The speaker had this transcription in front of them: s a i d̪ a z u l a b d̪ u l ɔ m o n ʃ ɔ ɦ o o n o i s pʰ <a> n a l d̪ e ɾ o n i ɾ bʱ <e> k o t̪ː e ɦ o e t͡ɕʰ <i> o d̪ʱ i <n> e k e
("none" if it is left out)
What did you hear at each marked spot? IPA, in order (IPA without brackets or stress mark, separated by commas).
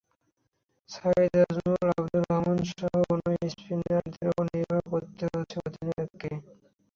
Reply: i, a, e, n